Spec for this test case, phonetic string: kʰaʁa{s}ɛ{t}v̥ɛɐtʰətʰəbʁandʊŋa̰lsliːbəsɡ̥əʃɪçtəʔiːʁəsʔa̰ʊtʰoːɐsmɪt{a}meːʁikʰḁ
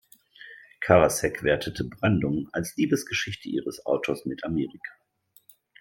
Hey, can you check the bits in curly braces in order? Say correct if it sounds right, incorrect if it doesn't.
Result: correct, incorrect: k, correct

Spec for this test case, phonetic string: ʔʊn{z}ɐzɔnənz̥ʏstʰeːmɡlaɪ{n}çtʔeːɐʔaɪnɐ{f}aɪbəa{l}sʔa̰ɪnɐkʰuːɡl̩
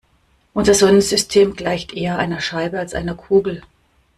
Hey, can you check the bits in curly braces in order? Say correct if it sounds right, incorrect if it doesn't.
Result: correct, incorrect: none, incorrect: ʃ, correct

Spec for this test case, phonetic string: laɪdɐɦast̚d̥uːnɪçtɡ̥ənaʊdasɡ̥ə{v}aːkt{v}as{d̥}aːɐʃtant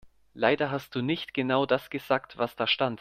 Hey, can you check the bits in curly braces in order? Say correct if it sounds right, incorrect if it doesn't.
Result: incorrect: z, correct, correct

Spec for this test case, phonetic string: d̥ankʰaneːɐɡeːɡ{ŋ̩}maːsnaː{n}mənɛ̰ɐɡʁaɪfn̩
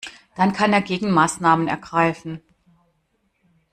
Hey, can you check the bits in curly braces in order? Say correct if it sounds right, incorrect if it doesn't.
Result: correct, incorrect: none

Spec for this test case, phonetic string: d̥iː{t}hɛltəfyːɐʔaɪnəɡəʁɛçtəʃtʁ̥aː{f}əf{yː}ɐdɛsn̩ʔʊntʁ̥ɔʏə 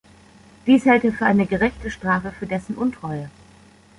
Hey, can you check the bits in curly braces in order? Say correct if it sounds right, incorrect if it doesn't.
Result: incorrect: s, correct, correct

